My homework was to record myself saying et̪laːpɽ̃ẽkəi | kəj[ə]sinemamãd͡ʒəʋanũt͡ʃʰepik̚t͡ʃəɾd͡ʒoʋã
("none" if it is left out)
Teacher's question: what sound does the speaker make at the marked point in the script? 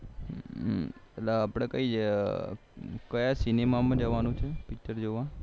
a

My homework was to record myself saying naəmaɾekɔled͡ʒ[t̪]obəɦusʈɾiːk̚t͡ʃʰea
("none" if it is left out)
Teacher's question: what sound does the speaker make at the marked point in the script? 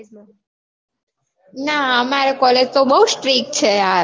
t̪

